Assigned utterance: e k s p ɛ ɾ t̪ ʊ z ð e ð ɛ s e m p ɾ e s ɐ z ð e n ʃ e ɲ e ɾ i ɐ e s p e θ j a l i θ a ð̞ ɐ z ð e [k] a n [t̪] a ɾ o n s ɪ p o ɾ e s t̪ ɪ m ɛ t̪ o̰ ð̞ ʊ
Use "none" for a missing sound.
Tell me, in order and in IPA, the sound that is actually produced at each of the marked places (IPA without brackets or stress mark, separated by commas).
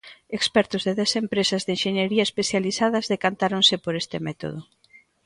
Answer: k, t̪